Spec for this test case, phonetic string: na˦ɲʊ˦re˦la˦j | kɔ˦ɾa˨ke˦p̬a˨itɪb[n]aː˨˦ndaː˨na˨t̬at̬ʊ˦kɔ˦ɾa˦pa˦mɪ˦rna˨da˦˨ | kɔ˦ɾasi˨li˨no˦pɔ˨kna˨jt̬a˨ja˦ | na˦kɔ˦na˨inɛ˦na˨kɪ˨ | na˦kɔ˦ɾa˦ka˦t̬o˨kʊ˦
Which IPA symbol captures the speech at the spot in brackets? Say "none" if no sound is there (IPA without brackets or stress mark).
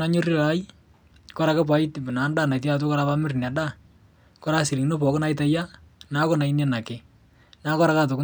n